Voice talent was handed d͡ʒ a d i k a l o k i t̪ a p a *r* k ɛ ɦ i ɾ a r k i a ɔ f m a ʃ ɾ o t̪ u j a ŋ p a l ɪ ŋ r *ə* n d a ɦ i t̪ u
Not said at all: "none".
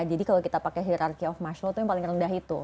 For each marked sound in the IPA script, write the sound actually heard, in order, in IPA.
none, ə

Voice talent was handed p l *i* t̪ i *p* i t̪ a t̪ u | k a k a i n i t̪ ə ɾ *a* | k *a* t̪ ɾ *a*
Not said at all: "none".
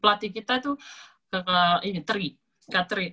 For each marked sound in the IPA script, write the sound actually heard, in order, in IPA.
a, k, i, a, i

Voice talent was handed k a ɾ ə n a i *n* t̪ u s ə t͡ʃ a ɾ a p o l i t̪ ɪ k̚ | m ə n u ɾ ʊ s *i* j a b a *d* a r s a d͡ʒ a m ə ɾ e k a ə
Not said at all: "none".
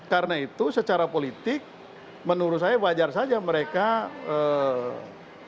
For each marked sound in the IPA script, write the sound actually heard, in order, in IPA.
none, a, d͡ʒ

